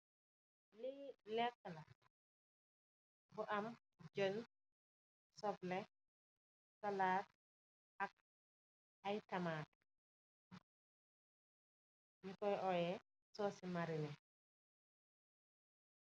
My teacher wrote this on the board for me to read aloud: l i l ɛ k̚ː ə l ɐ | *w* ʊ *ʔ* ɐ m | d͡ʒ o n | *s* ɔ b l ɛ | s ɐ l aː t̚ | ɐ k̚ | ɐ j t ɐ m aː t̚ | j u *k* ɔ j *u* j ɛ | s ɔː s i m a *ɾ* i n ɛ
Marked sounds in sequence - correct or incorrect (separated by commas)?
incorrect, correct, correct, correct, incorrect, correct